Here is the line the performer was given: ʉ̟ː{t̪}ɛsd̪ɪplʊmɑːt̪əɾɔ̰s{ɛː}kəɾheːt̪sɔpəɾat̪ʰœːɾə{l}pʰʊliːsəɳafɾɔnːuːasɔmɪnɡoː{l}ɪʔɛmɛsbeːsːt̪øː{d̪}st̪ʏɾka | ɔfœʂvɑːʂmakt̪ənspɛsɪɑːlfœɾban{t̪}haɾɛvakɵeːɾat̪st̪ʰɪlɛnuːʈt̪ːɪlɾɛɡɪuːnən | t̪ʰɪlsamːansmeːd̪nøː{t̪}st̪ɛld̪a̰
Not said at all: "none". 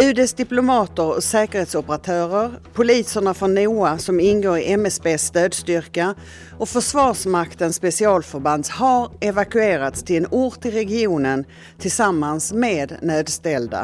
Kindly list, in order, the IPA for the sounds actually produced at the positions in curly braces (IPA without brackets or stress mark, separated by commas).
d̪, ɛː, ɾ, ɾ, d̪, d̪, d̪